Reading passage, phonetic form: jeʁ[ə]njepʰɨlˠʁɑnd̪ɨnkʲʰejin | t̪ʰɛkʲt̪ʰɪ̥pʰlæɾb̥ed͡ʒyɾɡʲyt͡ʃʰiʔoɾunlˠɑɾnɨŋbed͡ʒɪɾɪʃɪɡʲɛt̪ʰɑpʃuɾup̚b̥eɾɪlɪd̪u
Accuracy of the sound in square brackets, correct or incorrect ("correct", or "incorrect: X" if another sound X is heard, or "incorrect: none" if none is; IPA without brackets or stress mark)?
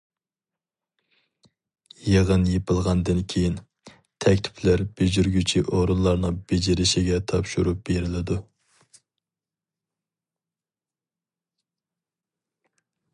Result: correct